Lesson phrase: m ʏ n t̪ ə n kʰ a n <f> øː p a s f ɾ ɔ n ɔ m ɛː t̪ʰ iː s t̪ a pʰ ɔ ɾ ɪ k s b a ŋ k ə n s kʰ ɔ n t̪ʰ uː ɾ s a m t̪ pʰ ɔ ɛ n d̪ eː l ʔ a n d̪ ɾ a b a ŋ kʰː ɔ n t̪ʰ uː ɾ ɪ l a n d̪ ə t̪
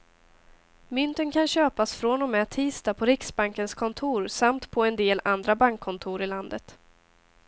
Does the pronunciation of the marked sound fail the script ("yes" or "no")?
yes